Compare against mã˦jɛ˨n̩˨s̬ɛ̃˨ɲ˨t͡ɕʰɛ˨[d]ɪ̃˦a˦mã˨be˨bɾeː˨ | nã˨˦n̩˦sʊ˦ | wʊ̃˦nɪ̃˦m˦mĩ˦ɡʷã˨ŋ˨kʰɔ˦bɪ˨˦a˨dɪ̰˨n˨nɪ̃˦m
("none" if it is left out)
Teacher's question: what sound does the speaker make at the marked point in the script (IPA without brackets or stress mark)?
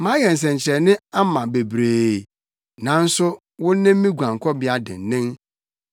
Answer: n